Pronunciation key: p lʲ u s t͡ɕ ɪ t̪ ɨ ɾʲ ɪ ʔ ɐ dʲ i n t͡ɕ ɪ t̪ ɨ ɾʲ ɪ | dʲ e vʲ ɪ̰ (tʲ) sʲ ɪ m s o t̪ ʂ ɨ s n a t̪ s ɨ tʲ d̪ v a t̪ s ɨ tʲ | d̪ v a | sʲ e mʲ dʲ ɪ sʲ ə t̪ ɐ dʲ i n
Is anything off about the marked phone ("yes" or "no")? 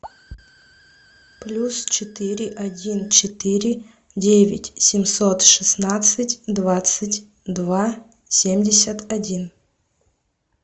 no